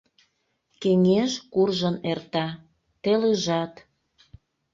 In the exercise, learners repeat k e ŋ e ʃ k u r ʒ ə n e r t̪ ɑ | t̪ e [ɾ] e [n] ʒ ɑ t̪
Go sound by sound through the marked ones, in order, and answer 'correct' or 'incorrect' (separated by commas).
incorrect, incorrect